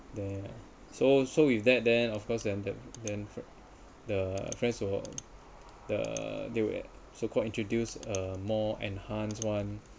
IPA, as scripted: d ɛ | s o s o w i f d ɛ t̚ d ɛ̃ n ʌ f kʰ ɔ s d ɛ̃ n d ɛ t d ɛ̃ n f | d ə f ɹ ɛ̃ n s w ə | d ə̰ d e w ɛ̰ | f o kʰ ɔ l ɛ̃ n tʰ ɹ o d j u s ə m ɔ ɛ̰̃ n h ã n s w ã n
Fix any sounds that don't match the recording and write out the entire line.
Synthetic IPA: d ɛ | s o s o w i f d ɛ t̚ d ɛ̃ n ɔ f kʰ ɔ s d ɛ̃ n d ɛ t d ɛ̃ n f | d ə f ɹ ɛ̃ n s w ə | d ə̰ d e w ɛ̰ | s o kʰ ɔ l ĩ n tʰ ɹ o d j u s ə m ɔ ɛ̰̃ n h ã n s w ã n